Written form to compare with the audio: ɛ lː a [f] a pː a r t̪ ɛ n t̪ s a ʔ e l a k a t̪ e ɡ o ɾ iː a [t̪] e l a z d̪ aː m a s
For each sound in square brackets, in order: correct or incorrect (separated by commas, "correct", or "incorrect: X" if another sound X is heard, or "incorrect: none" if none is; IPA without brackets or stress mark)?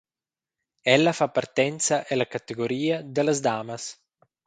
correct, incorrect: d̪